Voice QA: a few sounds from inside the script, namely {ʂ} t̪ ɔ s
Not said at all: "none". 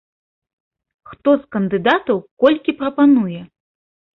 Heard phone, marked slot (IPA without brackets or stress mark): x